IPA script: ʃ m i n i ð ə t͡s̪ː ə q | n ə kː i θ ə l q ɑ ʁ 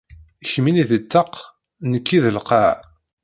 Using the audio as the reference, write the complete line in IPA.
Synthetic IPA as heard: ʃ m i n i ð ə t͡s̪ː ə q | n ə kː i ð ə l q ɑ ʕ